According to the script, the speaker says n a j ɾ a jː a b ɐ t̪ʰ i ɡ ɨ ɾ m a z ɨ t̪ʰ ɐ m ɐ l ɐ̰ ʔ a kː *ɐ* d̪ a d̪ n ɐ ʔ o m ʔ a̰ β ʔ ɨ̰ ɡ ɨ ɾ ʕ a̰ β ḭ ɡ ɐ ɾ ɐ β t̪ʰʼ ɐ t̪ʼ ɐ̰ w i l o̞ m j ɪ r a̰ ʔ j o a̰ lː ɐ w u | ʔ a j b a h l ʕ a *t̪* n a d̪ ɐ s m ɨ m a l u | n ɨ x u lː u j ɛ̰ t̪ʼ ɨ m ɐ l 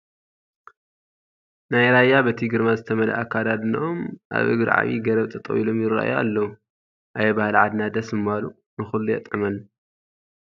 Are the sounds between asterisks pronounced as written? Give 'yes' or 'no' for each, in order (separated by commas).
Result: no, no